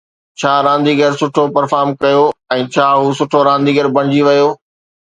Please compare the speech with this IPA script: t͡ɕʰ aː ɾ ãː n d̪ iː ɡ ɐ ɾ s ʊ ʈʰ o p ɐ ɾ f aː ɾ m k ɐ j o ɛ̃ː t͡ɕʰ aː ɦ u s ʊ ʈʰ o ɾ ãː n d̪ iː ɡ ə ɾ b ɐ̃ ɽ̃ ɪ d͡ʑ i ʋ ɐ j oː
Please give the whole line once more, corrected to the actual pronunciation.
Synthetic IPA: t͡ɕʰ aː ɾ ãː n d̪ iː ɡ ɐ ɾ s ʊ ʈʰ o p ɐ ɾ f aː ɾ m k ɐ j o ɛ̃ː t͡ɕʰ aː ɦ u s ʊ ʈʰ o ɾ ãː n d̪ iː ɡ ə ɾ b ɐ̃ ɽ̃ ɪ d͡ʑ i ʋ ɐ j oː